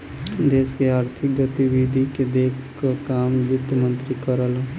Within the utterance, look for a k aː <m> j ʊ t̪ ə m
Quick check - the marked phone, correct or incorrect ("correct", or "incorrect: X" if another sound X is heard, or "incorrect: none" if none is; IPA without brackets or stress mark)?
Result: correct